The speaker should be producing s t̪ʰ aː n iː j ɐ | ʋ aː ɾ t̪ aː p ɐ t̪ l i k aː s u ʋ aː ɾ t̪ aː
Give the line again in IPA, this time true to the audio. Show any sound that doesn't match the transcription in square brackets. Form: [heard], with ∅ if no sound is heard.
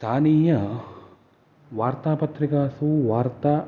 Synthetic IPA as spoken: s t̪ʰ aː n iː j ɐ | ʋ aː ɾ t̪ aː p ɐ t̪ [ɾ] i k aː s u ʋ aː ɾ t̪ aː